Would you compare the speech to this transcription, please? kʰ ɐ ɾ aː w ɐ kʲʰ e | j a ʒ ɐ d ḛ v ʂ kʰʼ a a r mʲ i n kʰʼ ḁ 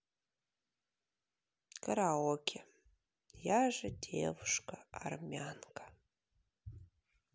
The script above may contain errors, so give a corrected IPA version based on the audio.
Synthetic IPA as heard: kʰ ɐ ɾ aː w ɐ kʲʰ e | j a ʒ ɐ d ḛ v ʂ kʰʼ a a r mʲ a n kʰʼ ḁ